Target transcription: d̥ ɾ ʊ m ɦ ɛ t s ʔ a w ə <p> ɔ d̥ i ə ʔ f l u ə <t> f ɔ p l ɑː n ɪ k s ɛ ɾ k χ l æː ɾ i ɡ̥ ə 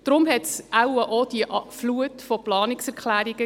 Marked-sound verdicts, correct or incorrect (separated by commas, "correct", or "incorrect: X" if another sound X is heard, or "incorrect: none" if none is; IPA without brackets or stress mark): incorrect: ʔ, correct